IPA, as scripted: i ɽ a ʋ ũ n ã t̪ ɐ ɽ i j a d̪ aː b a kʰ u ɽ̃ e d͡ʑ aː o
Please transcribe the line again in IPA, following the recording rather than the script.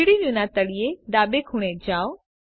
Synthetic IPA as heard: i ɽ i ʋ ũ n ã t̪ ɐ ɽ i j e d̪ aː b e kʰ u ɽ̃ e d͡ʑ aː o

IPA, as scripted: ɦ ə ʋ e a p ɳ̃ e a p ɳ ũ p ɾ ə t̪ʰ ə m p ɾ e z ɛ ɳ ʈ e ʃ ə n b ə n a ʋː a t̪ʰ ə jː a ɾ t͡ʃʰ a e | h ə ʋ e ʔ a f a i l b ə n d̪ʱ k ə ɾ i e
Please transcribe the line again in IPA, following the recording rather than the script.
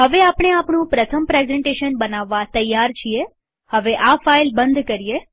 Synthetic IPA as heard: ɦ ə ʋ e a p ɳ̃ e a p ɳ ũ p ɾ ə t̪ʰ ə m p ɾ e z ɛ ɳ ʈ e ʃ ə n b ə n a ʋː a t̪ ə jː a ɾ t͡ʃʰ i e | h ə ʋ e ʔ a f a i l b ə n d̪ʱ k ə ɾ i e

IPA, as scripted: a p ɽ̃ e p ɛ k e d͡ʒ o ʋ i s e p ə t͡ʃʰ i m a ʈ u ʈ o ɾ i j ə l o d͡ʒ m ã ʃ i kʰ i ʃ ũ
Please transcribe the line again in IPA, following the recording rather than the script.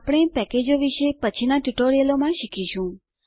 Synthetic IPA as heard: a p ɽ̃ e p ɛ k e d͡ʒ o ʋ i ʃ e p ə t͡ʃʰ i n a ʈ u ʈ o ɾ i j ə l o m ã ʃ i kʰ i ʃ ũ

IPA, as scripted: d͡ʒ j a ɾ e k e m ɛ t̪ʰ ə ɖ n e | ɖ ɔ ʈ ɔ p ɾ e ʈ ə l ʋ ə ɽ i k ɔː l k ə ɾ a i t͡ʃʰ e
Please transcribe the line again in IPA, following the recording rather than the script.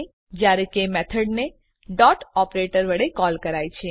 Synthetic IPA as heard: d͡ʒ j a ɾ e k e m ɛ t̪ʰ ə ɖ n e | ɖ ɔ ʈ ɔ p ɾ e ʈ ə ɾ ʋ ə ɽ e k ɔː l k ə ɾ a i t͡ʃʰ e

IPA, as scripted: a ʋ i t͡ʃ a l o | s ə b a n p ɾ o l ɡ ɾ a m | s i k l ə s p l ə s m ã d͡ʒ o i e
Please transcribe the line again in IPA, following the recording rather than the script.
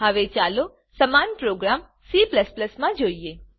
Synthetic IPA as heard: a ʋ e t͡ʃ a l o | s ə m a n p ɾ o ɡ ɾ a m | s i p l ə s p l ə s m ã d͡ʒ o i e

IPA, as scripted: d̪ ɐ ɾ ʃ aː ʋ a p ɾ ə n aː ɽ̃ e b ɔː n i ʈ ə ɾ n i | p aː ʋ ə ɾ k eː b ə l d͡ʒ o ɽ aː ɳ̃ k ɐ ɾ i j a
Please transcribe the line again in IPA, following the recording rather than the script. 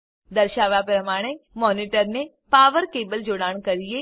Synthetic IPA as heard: d̪ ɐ ɾ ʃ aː ʋ a p ɾ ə m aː ɽ̃ e m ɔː n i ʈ ə ɾ n e | p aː ʋ ə ɾ k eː b ə l d͡ʒ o ɽ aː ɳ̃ k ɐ ɾ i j e

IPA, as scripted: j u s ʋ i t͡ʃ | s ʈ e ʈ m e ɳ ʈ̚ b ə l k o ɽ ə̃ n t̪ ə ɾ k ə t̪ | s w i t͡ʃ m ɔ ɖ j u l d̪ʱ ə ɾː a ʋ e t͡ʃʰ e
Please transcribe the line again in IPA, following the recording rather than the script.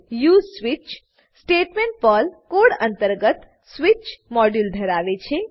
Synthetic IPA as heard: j u s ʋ i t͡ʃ | s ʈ e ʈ m e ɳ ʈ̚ p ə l k o ɽ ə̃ n t̪ ə ɾ ɡ ə t̪ | s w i t͡ʃ m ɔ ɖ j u l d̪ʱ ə ɾ a ʋ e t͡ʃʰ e

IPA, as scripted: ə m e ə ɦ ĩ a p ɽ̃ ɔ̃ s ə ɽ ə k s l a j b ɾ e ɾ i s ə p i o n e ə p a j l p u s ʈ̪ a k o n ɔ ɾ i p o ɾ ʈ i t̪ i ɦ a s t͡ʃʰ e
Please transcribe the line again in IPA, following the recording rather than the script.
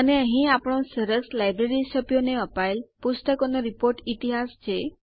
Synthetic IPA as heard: ə n e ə ɦ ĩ a p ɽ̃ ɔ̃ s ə ɾ ə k s l a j b ɾ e ɾ i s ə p j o n e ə p a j l p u s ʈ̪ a k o n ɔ ɾ i p o ɾ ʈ i t̪ i ɦ a s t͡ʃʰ e

